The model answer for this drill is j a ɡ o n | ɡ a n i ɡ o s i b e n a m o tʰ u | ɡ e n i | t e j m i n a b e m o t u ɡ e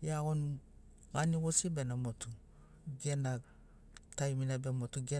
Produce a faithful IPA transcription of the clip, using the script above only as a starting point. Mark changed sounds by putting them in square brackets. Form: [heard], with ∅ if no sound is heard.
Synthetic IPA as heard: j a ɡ o n | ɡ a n i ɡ o s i b e n a m o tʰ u | ɡ e n [a] | t [a] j m i n a b e m o t u ɡ e